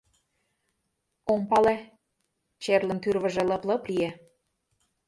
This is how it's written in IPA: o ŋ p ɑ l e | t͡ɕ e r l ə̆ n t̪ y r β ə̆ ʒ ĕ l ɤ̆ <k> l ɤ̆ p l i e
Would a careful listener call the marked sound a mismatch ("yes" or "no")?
yes